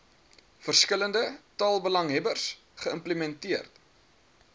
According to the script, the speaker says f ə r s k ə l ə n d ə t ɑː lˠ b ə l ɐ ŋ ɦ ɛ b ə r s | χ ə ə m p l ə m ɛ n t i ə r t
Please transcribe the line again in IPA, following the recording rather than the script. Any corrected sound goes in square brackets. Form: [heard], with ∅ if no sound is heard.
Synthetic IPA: f ə r s k ə l ə n d ə t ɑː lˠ b ə l ɐ ŋ ɦ ɛ b ə r s | χ ə ə m p l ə m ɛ n t i ə r t